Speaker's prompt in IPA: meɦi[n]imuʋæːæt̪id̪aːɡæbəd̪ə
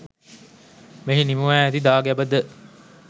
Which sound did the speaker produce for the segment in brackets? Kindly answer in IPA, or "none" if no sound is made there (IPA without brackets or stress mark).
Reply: n